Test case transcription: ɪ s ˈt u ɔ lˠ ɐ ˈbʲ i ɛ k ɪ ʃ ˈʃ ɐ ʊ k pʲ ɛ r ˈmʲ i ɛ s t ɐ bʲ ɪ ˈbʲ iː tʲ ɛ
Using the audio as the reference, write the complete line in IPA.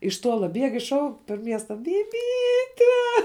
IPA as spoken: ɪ ʃ ˈt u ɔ lˠ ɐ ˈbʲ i ɛ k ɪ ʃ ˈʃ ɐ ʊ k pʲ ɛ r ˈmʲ i ɛ s t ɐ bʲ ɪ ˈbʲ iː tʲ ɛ